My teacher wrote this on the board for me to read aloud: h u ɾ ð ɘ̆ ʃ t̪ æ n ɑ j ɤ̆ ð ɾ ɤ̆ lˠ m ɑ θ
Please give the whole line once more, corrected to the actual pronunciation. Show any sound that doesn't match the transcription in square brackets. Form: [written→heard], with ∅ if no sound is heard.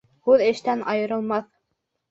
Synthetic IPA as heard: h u [ɾ→∅] ð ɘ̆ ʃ t̪ æ n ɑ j ɤ̆ [ð→∅] ɾ ɤ̆ lˠ m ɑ θ